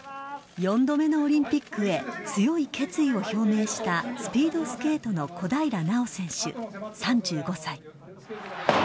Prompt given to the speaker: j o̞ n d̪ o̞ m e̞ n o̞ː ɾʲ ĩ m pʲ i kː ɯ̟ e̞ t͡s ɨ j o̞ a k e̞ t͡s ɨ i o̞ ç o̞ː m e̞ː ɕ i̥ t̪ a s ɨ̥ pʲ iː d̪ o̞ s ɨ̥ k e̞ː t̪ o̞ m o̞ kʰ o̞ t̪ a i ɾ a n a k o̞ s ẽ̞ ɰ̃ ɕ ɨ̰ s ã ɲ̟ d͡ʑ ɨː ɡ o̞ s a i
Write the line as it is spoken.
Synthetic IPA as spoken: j õ̞ n d̪ o̞ m e̞ n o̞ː ɾʲ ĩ m pʲ i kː ɯ̟ e̞ t͡s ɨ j o̞ i k e̞ t͡s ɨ i o̞ ç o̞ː m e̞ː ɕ i̥ t̪ a s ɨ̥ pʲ iː d̪ o̞ s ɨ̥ k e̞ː t̪ o̞ n o̞ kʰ o̞ d̪ a i ɾ a n a o̞ s ẽ̞ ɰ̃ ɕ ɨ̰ s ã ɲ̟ d͡ʑ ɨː ɡ o̞ s a i